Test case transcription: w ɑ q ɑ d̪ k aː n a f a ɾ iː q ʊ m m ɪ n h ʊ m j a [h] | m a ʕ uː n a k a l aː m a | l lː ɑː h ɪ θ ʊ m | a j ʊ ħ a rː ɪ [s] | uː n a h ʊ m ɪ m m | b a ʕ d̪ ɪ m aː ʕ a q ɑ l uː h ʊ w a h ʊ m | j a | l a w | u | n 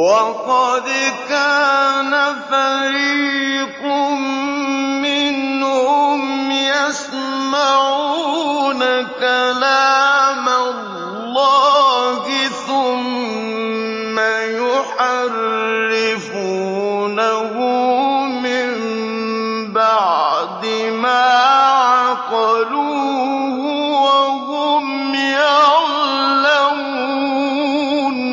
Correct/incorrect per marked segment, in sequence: incorrect, incorrect

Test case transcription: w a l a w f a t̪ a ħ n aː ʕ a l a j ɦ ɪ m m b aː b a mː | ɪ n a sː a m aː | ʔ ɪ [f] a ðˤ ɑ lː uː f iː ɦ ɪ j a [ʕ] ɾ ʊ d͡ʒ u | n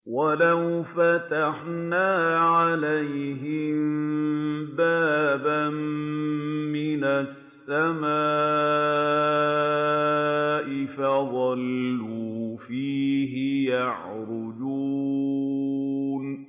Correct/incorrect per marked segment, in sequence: correct, correct

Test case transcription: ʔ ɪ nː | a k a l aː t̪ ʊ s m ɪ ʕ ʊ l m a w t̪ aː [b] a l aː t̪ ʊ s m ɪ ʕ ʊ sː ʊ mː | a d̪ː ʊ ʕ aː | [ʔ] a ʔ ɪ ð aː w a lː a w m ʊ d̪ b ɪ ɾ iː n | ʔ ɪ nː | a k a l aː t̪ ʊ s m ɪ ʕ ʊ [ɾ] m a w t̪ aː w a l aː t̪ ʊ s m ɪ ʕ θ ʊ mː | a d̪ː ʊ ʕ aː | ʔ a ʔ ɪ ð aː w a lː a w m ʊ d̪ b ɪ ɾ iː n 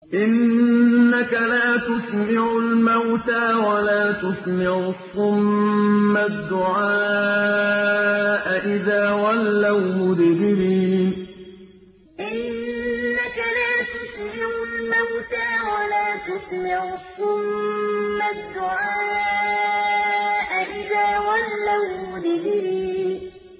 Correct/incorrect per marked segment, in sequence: incorrect, correct, incorrect

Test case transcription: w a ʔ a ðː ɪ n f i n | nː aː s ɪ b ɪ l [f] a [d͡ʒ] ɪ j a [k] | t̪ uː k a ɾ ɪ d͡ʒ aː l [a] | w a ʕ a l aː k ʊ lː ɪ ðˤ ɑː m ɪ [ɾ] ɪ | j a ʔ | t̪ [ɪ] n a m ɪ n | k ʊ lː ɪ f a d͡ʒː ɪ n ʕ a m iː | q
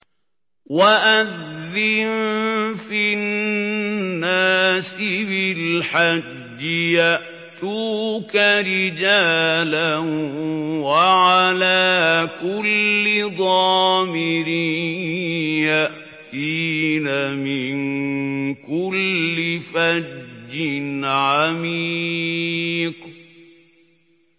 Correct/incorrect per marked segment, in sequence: incorrect, incorrect, incorrect, correct, correct, incorrect

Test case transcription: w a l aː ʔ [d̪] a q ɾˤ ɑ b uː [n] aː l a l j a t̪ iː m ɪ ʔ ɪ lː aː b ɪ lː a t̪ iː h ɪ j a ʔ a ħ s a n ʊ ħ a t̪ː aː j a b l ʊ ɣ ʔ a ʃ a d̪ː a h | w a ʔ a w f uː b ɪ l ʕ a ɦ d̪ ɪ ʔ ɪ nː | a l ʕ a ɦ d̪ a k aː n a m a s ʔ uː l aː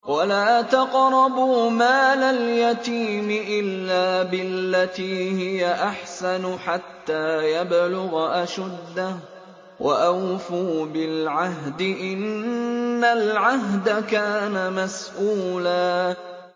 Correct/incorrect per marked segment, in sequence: incorrect, incorrect

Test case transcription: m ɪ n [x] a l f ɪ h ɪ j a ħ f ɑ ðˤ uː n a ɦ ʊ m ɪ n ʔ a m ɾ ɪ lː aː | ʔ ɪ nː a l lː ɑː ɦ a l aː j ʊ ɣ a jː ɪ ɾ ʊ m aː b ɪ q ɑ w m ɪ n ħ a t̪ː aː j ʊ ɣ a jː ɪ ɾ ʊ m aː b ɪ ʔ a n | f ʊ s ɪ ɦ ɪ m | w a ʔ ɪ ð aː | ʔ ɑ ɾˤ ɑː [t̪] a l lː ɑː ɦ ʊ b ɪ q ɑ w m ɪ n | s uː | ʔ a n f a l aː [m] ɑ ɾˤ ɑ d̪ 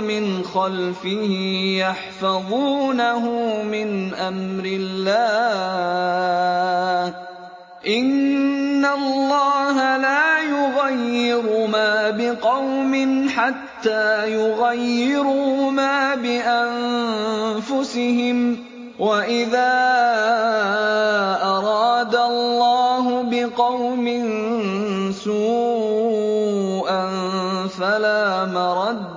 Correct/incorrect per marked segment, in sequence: correct, incorrect, correct

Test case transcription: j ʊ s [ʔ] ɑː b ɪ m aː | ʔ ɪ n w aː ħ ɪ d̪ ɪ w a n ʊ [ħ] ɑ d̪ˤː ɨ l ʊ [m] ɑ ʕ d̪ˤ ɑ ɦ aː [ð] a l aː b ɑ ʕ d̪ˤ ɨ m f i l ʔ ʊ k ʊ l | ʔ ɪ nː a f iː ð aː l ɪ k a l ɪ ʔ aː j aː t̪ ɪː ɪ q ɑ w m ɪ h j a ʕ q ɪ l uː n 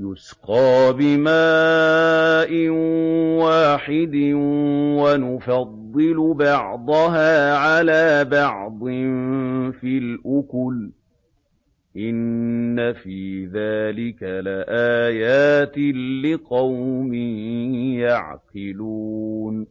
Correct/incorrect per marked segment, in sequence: incorrect, incorrect, incorrect, incorrect

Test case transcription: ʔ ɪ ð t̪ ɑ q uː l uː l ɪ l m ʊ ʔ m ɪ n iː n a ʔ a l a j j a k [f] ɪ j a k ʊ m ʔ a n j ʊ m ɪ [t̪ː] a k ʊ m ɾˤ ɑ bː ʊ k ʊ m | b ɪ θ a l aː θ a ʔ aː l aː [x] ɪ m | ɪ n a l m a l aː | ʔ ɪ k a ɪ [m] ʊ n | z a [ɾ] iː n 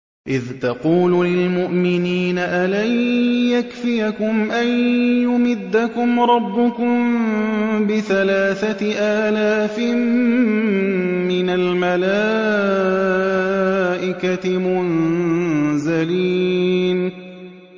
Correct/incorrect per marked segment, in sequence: correct, incorrect, incorrect, correct, incorrect

